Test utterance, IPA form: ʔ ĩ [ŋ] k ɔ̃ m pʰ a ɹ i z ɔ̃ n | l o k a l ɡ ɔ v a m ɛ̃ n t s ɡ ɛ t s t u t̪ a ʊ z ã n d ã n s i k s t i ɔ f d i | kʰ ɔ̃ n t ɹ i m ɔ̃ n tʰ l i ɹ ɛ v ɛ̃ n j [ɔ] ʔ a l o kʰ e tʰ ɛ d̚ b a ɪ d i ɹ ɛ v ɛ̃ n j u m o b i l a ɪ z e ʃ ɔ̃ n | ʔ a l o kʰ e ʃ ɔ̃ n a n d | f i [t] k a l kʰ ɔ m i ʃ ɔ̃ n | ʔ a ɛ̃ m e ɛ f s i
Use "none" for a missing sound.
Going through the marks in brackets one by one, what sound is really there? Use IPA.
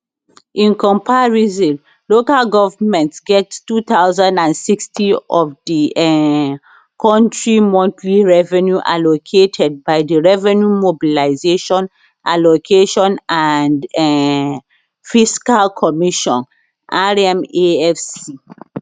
n, u, s

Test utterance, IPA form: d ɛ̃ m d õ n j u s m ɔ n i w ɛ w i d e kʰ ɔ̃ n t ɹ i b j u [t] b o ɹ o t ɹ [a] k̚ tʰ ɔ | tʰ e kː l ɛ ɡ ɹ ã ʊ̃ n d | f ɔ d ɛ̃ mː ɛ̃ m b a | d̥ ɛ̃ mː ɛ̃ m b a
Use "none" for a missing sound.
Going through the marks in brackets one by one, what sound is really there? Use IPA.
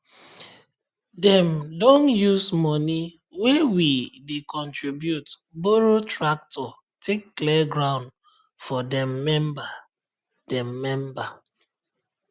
t, a

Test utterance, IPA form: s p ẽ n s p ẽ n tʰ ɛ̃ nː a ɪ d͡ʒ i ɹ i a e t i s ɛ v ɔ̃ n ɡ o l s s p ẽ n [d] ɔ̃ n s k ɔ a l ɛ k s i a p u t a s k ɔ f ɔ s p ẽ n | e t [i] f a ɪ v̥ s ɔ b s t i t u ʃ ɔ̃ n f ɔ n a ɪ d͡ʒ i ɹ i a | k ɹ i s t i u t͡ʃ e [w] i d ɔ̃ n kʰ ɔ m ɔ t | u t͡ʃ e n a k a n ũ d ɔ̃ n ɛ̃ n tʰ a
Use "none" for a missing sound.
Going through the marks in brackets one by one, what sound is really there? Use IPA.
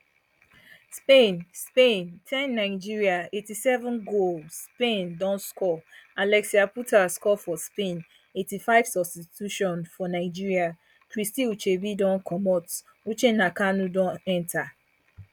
d, i, b

